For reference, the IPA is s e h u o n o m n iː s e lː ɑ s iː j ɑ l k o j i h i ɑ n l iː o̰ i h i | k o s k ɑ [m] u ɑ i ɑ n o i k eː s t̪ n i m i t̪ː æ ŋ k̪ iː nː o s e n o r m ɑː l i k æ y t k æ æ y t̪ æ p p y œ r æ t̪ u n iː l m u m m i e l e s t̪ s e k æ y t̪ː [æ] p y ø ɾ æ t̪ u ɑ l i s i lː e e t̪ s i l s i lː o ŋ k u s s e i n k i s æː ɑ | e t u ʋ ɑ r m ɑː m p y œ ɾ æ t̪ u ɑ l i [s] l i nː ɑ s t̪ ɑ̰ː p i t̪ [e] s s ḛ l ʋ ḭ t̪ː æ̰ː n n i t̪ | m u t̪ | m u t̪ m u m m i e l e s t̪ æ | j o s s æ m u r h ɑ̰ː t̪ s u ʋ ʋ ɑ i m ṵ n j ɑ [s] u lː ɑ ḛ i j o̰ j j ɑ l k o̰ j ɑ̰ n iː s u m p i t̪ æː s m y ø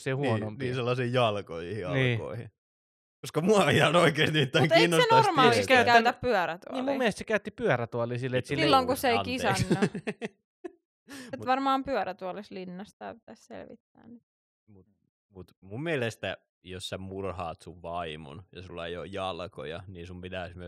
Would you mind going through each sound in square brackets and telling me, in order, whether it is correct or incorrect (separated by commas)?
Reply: correct, incorrect, correct, incorrect, correct